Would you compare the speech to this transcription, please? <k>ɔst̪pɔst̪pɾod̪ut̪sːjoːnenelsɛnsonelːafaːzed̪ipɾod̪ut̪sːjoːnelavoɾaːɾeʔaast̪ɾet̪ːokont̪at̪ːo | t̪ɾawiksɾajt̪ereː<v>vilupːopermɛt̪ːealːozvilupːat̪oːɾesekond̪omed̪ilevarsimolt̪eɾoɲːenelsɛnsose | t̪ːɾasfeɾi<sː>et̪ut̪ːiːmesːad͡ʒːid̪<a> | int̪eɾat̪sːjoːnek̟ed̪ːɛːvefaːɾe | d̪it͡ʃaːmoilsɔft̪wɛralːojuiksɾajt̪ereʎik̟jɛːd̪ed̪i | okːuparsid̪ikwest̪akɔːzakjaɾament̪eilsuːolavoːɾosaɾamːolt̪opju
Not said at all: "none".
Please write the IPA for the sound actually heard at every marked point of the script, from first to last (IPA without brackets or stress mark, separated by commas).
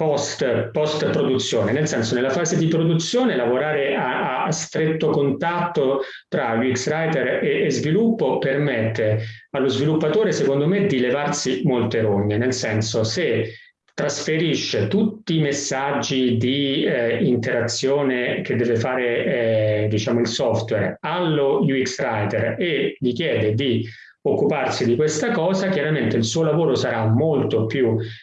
p, z, ʃː, i